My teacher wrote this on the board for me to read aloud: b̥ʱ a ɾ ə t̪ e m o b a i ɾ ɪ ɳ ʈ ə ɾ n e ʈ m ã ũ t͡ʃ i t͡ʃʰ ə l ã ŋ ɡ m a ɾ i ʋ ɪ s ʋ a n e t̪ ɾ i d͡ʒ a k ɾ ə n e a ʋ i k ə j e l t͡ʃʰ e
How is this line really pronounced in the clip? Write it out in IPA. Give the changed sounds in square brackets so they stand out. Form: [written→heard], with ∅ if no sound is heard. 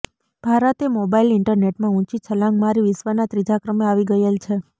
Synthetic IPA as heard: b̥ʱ a ɾ ə t̪ e m o b a i [ɾ→l] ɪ ɳ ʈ ə ɾ n e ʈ m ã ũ t͡ʃ i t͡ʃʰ ə l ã ŋ ɡ m a ɾ i ʋ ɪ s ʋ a n [e→a] t̪ ɾ i d͡ʒ a k ɾ ə [n→m] e a ʋ i [k→ɡ] ə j e l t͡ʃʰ e